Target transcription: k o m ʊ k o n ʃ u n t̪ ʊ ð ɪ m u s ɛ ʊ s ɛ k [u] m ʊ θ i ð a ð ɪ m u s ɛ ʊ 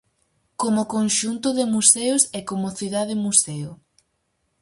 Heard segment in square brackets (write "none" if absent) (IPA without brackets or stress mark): o